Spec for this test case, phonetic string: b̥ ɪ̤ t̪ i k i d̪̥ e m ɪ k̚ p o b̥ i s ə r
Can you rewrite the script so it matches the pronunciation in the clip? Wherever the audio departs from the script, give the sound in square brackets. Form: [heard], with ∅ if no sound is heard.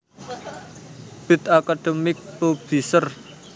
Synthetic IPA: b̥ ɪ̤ t̪ [a] k [a] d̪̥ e m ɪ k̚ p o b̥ i s ə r